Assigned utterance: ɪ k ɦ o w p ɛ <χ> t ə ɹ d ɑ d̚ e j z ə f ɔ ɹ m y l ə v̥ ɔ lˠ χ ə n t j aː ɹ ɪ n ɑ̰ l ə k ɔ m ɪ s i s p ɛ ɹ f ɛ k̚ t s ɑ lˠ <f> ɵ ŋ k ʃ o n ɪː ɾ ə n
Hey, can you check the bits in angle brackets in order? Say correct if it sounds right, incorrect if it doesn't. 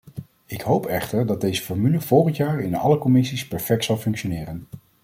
correct, correct

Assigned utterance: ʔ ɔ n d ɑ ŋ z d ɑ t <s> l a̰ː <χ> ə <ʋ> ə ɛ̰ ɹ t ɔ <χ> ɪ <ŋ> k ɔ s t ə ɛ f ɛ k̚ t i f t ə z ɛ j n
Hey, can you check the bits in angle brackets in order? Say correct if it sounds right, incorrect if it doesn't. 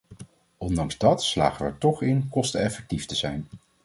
correct, correct, correct, correct, incorrect: n

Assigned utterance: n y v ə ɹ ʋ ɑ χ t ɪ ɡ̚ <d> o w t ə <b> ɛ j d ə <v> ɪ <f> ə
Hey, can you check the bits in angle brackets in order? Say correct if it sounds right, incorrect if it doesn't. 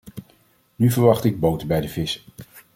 incorrect: b, correct, correct, incorrect: s

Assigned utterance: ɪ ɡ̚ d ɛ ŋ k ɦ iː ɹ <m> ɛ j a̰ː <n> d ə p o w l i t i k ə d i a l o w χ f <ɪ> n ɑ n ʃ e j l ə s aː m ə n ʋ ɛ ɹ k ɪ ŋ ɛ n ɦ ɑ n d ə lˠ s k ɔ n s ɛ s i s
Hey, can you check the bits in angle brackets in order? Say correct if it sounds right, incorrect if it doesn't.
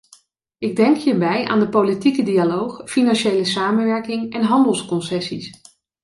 incorrect: b, correct, incorrect: i

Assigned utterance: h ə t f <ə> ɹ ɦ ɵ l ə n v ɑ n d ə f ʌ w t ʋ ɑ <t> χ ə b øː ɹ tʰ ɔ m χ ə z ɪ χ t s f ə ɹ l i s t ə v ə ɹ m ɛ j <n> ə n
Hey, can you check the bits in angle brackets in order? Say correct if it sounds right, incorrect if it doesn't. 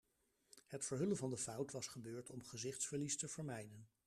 correct, incorrect: s, incorrect: d

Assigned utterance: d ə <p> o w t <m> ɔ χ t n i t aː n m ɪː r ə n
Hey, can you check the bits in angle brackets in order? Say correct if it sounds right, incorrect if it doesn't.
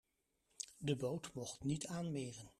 incorrect: b, correct

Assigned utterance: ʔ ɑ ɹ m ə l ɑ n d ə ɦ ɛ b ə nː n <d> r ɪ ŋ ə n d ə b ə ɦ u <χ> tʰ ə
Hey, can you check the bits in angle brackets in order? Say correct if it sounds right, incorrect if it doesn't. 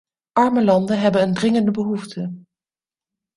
correct, incorrect: f

